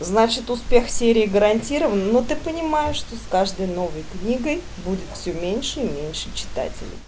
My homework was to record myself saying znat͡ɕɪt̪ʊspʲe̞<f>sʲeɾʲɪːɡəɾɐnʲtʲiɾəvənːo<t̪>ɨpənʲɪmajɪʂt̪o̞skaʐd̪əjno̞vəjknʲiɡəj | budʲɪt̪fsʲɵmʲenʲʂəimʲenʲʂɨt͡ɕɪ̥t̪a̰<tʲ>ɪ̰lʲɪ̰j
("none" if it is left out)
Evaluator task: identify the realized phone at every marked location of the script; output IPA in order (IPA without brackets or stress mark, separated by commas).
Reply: x, t̪, tʲ